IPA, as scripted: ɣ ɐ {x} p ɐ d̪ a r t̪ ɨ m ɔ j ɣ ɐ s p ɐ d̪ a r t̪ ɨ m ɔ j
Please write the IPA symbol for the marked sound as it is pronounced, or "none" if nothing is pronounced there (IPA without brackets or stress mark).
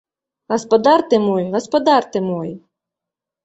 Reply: s